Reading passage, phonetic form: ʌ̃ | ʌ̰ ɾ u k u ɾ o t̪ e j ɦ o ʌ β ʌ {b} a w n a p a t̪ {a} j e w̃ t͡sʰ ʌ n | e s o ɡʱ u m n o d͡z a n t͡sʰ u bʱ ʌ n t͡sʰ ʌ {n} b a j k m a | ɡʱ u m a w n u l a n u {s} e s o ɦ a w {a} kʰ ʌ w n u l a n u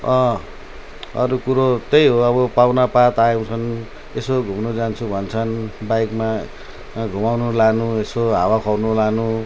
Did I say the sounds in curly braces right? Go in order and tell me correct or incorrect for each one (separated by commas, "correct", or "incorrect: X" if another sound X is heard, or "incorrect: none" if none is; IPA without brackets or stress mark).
incorrect: p, correct, correct, incorrect: none, correct